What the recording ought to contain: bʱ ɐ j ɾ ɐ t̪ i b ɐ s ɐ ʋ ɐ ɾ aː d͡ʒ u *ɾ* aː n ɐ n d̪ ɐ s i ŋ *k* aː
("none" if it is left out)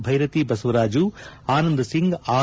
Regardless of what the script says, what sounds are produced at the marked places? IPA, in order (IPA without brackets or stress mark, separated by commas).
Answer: none, ɡ